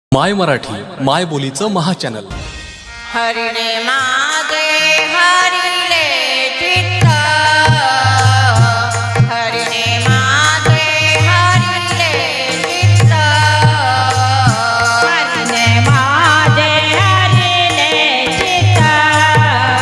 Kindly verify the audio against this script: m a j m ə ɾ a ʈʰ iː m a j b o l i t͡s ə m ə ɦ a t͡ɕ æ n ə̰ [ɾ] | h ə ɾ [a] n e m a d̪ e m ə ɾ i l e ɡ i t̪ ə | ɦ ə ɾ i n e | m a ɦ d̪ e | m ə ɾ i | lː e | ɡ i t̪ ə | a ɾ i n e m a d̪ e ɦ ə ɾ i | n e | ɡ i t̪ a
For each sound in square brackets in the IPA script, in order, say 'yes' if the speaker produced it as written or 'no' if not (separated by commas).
no, no